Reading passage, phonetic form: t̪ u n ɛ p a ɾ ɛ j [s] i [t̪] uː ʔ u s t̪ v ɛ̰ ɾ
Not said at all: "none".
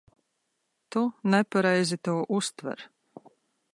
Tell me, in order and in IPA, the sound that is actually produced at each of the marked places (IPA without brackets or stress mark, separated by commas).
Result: z, t̪